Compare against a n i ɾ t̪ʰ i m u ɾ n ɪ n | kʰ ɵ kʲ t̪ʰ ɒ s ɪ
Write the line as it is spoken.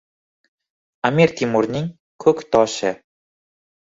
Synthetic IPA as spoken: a m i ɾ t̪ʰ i m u ɾ n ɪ ŋ | kʰ ɵ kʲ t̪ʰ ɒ ʃ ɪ